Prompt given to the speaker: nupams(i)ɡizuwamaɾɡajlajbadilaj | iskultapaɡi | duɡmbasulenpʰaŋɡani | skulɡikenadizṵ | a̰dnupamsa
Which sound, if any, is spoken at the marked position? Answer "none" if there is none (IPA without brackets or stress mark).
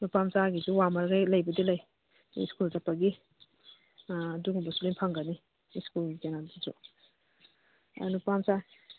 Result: a